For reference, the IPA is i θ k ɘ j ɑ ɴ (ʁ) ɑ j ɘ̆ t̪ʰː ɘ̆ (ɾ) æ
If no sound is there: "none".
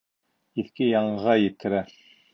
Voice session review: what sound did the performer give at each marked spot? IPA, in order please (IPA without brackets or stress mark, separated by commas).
ʁ, ɾ